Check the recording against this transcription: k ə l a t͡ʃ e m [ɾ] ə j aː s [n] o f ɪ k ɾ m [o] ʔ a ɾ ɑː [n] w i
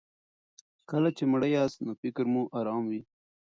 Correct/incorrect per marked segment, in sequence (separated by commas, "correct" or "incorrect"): incorrect, correct, incorrect, incorrect